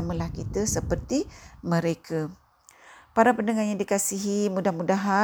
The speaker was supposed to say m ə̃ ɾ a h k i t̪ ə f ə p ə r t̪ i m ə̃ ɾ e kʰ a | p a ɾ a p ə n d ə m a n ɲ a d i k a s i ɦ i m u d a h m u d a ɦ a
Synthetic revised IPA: m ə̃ l a h k i t̪ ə s ə p ə r t̪ i m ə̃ ɾ e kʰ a | p a ɾ a p ə n d ə ŋ a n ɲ a d i k a s i ɦ i m u d a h m u d a ɦ a